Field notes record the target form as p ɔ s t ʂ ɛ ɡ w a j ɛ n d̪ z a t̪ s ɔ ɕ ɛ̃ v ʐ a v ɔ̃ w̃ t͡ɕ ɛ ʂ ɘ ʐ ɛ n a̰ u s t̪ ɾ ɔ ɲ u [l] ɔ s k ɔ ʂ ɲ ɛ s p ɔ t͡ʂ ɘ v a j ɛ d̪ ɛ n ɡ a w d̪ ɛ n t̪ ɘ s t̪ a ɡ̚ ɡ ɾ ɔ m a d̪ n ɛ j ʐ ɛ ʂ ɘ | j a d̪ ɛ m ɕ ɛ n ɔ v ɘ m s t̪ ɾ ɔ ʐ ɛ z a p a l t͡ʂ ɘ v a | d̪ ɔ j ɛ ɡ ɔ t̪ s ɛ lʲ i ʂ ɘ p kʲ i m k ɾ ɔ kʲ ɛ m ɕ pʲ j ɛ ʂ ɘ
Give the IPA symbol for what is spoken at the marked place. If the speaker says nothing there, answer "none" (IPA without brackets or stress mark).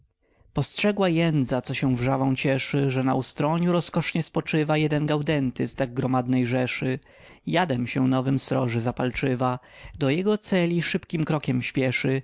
ɾ